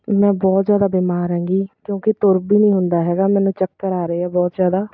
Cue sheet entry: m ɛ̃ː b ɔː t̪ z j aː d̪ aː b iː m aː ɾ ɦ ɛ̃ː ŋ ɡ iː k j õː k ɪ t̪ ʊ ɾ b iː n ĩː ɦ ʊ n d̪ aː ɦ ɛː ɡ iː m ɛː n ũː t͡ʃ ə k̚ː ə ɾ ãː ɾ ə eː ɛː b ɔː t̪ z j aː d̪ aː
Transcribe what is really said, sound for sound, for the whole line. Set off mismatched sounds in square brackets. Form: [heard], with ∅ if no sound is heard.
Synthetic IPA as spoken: m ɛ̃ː b ɔː t̪ z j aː d̪ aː b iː m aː ɾ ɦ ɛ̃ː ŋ ɡ iː k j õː k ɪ t̪ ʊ ɾ b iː n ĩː ɦ ʊ n d̪ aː ɦ ɛː ɡ [aː] m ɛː n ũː t͡ʃ ə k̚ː ə ɾ [aː] ɾ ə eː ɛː b ɔː t̪ z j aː d̪ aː